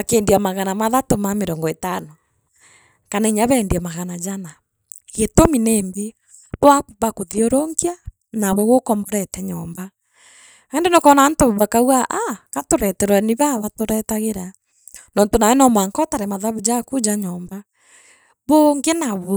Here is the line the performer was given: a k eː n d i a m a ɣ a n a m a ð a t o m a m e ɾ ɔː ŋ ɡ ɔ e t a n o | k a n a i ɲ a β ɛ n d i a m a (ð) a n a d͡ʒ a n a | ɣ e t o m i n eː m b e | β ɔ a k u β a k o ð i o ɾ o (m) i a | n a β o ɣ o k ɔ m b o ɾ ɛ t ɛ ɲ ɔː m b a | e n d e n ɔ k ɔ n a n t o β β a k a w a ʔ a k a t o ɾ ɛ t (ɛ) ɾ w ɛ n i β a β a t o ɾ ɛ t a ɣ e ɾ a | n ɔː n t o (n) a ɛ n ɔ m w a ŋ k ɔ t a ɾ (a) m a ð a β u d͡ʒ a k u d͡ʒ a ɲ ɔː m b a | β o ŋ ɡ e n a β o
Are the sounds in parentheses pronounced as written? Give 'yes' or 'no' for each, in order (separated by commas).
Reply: no, no, yes, yes, no